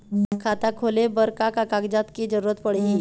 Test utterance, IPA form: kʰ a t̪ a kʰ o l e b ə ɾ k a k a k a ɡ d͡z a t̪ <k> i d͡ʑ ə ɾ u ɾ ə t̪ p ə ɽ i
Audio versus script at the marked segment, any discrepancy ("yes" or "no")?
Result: no